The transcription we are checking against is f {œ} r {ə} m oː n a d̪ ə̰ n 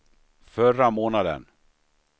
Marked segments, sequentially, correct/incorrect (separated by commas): correct, incorrect